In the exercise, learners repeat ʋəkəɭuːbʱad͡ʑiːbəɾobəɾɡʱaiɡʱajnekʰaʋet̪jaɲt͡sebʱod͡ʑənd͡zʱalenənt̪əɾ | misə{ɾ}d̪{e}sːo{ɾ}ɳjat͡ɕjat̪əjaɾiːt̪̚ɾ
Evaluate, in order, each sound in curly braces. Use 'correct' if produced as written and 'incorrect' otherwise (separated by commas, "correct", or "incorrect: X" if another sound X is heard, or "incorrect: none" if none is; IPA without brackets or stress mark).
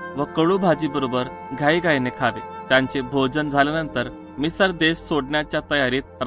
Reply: correct, correct, incorrect: ɽ